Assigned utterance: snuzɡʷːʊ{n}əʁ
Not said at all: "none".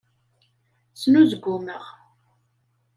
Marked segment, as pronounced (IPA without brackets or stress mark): m